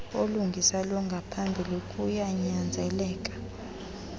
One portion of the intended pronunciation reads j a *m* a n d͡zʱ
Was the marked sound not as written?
yes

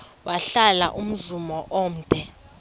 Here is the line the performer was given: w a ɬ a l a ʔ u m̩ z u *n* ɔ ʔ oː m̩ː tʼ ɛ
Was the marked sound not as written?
yes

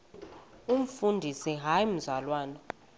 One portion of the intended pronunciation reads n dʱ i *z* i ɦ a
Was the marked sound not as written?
yes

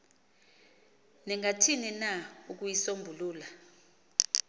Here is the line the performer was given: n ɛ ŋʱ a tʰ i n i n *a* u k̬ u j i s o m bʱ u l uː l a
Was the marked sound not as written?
no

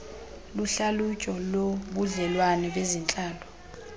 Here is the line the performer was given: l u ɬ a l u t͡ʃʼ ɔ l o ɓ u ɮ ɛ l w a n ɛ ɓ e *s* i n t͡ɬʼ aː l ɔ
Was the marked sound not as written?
yes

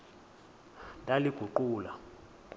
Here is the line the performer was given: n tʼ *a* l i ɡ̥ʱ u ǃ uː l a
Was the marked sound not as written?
no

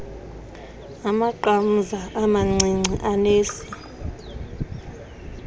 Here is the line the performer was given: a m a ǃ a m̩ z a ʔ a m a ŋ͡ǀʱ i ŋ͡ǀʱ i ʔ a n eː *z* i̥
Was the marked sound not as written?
yes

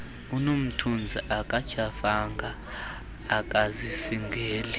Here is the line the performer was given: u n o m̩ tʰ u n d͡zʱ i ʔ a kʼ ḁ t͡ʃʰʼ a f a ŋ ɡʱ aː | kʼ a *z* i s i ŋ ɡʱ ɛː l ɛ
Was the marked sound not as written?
no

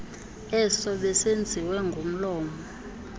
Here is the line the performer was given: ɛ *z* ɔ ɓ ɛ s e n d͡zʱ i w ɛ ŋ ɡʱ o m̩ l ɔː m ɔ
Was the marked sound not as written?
yes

